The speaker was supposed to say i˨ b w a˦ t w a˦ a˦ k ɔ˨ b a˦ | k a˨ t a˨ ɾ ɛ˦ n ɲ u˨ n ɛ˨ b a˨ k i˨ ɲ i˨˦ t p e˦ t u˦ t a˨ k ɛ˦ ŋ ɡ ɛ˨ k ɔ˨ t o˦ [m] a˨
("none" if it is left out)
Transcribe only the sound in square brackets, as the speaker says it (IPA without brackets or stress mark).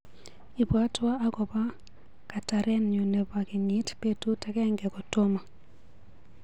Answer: m